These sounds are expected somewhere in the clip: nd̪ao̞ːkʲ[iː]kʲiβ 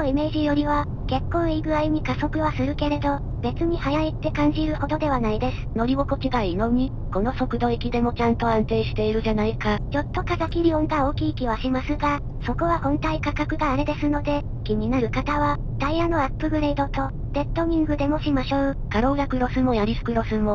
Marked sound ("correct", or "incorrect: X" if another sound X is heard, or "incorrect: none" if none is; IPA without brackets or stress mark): correct